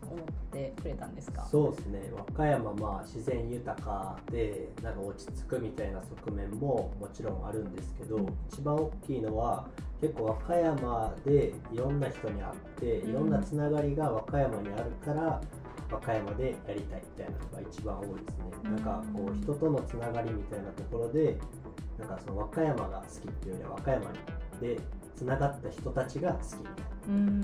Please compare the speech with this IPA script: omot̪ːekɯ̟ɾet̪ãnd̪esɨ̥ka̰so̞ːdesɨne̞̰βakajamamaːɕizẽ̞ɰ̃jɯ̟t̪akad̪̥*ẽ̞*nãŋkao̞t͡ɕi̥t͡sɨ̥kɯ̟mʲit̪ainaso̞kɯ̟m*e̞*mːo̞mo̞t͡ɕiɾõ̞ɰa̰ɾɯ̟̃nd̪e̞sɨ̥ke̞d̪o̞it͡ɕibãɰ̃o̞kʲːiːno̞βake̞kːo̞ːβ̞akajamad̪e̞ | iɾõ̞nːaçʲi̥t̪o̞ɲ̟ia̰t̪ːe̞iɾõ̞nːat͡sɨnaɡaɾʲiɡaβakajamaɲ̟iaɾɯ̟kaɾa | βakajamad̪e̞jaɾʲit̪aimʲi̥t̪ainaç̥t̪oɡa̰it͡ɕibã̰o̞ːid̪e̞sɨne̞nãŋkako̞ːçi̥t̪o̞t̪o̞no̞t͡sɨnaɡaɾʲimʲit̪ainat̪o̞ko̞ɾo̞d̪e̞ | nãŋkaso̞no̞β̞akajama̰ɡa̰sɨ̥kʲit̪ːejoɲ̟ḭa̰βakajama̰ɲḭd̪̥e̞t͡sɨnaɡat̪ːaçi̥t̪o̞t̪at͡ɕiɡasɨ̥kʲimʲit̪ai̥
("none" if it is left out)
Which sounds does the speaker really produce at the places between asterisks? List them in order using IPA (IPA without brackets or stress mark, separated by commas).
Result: e̞, ẽ̞